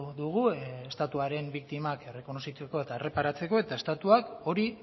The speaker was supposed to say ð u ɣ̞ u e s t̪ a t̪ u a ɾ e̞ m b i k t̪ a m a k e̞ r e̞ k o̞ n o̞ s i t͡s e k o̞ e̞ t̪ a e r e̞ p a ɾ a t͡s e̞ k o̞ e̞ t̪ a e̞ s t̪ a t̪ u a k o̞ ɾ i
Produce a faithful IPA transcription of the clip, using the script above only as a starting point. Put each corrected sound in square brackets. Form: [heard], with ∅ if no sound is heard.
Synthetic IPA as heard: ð u ɣ̞ u e s t̪ a t̪ u a ɾ e̞ m b i k t̪ [i] m a k e̞ r e̞ k o̞ n o̞ s i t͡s e k o̞ e̞ t̪ a e r e̞ p a ɾ a t͡s e̞ k o̞ e̞ t̪ a e̞ s t̪ a t̪ u a k o̞ ɾ i